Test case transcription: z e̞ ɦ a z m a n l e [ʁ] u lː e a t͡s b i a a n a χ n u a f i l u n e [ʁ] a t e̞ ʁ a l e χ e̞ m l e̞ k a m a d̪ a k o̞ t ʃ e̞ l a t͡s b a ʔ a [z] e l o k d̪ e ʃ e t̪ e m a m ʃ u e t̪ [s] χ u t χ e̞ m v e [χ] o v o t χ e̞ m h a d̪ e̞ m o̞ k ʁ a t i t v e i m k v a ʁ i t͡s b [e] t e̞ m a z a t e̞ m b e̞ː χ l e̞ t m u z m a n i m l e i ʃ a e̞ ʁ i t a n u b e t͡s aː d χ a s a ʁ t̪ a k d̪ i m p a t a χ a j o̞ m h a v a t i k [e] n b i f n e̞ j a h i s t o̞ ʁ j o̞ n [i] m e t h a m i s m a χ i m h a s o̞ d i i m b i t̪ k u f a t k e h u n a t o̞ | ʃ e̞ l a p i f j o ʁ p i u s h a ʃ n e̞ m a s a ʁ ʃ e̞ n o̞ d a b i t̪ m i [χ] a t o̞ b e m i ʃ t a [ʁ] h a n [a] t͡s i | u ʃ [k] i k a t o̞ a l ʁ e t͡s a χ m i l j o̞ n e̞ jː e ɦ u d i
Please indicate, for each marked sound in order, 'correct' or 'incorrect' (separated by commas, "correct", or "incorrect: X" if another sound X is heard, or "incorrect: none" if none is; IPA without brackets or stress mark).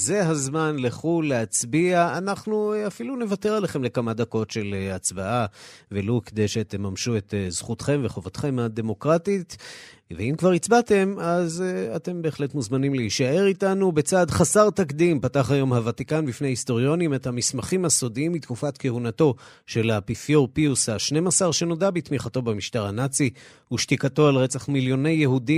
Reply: incorrect: χ, incorrect: v, incorrect: v, incorrect: z, correct, incorrect: a, incorrect: a, correct, correct, correct, correct, incorrect: t